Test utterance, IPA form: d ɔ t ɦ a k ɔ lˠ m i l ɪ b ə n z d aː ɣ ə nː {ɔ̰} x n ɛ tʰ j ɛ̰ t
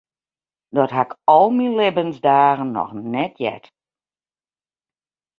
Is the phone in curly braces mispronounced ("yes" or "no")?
no